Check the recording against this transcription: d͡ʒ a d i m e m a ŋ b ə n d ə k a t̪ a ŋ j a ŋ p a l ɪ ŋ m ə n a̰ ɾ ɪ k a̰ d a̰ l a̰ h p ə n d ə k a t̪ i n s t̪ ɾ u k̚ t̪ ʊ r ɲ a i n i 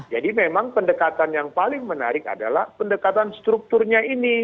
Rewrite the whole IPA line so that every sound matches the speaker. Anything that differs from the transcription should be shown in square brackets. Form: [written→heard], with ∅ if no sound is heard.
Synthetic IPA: d͡ʒ a d i m e m a ŋ [b→p] ə n d ə k a t̪ a [ŋ→n] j a ŋ p a l ɪ ŋ m ə n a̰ ɾ ɪ k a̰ d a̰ l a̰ h p ə n d ə k a t̪ [i→a] n s t̪ ɾ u k̚ t̪ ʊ r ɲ a i n i